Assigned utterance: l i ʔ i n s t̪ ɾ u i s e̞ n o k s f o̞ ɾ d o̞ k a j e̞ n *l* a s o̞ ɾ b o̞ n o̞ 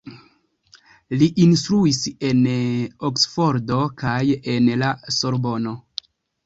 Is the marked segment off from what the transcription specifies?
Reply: no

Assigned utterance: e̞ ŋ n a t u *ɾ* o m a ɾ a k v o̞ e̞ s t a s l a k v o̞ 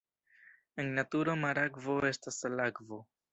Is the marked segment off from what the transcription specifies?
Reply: no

